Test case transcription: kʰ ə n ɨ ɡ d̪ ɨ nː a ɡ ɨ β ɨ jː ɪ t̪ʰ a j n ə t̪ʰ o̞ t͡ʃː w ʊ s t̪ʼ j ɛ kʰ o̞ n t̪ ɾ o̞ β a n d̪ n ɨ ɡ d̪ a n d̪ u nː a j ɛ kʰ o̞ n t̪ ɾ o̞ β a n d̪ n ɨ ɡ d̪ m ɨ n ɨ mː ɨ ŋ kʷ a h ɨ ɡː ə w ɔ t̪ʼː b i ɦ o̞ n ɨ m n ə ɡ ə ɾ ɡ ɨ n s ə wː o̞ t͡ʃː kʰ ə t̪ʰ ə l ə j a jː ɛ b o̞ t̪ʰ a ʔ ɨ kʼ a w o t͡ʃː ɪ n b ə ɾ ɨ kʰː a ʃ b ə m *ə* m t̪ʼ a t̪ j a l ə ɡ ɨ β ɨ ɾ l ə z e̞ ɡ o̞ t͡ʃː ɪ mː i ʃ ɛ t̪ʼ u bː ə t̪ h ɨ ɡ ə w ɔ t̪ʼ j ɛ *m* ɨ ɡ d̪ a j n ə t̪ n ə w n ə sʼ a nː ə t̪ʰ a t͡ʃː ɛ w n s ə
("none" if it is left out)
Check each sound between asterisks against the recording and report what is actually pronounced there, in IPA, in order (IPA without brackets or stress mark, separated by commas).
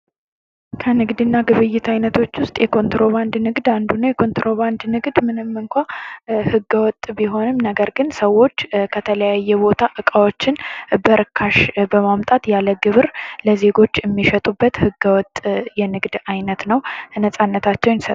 a, n